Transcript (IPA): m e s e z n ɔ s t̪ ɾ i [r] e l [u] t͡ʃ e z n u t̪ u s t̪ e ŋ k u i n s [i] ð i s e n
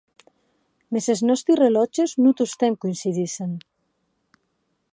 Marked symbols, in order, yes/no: yes, no, yes

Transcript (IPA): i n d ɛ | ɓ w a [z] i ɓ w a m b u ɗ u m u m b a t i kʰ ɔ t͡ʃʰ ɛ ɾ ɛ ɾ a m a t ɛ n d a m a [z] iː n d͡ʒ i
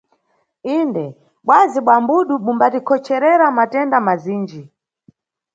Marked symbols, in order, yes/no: yes, yes

